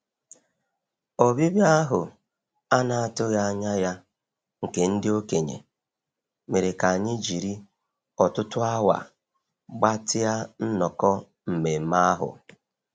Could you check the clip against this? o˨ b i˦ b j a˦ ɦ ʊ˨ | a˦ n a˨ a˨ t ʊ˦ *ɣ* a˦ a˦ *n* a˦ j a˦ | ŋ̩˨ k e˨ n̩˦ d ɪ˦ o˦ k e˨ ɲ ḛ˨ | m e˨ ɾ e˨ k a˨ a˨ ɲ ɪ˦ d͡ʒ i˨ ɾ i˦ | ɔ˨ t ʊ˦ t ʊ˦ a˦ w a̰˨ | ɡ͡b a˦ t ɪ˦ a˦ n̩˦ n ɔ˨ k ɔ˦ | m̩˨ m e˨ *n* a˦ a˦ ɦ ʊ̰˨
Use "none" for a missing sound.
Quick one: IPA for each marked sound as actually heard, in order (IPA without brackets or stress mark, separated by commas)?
ɣ, ɲ, m